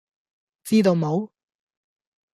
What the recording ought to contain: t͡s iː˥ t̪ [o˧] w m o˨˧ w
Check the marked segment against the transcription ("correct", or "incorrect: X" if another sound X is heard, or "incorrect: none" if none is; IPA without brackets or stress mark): correct